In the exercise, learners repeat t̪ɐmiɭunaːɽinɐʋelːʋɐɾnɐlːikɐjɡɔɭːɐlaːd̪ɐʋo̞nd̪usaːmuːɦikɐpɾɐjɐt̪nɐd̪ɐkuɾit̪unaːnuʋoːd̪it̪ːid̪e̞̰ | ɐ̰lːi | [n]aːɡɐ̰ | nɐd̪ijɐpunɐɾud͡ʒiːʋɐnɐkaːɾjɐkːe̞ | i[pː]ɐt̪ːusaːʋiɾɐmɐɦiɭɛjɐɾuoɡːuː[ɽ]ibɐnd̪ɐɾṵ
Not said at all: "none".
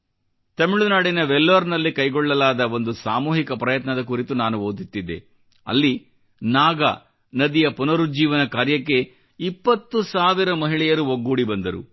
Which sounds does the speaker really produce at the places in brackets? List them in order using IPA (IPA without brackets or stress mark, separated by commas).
n, pː, ɽ